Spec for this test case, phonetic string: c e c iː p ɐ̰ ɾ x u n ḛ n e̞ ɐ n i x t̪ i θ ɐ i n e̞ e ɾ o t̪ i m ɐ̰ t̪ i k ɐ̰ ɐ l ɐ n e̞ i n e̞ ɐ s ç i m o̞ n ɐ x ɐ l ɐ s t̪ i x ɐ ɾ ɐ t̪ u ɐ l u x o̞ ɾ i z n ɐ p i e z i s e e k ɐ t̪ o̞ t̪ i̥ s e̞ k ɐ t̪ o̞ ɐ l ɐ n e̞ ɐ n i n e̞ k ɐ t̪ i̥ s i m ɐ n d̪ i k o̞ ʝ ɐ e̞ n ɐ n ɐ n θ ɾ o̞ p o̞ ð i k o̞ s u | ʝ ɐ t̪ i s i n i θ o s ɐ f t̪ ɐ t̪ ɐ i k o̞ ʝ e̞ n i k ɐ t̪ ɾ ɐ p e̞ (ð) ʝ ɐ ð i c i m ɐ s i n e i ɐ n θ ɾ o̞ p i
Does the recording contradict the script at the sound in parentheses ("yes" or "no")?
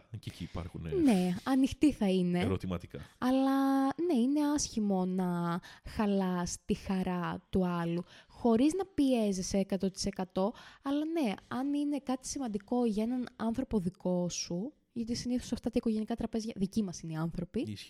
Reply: yes